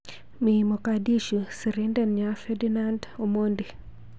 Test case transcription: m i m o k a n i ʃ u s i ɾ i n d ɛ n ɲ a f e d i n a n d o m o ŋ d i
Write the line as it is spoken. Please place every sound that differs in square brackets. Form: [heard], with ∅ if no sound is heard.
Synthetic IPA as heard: m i m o k a [d] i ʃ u s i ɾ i n d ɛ n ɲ a f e d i n a n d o m o [n] d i

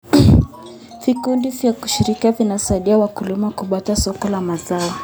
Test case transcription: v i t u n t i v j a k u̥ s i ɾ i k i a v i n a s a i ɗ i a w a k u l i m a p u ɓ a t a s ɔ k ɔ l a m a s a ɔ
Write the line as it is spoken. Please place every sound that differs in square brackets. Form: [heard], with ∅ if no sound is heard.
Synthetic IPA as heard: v i [k] u n [d] i v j a k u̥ [ʃ] i ɾ i k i a v i n a s a i ɗ i a w a k u l i m a [k] u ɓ a t a s ɔ k ɔ l a m a [z] a ɔ

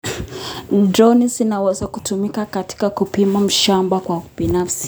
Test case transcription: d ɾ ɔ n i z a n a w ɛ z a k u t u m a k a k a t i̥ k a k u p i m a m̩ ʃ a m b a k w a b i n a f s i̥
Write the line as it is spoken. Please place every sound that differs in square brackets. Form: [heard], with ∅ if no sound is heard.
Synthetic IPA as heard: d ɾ ɔ n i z [i] n a w ɛ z a k u t u m [i] k a k a t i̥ k a k u p i m a m̩ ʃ a m b a k w a b i n a f s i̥

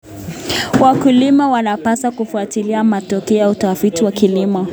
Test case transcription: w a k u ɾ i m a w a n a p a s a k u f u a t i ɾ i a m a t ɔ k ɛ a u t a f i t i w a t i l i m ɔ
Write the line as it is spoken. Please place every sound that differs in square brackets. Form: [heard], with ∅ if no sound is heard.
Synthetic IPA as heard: w a k u [l] i m a w a n a p a s a k u f u a t i [l] i a m a t ɔ k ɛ a u t a f i t i w a [k] i l i m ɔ

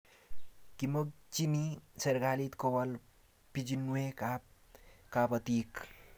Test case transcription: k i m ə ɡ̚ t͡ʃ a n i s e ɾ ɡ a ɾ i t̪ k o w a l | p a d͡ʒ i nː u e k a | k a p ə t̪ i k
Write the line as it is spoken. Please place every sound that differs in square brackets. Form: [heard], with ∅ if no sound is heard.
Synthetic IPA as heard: k i m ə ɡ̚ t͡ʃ [i] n i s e ɾ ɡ a [l] i t̪ k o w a l | p [i] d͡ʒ i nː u e k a | k a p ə t̪ i k

